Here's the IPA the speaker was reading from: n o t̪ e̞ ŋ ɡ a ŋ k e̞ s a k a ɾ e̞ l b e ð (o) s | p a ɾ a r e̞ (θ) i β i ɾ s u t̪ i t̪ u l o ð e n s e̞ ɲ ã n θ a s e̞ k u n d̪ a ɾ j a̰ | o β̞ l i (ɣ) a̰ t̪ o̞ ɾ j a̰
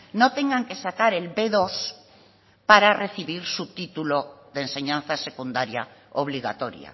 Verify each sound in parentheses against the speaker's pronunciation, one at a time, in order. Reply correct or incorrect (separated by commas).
correct, correct, correct